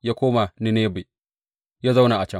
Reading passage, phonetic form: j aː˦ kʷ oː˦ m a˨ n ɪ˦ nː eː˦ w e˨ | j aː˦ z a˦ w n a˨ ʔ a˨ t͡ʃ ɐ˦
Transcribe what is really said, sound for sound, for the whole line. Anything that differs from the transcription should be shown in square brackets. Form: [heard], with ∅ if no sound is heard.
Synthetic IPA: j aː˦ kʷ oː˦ m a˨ n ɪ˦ [n] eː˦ [b] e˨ | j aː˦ z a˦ w n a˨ ʔ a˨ t͡ʃ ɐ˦